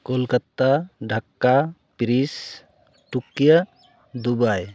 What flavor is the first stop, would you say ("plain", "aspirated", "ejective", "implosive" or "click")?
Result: plain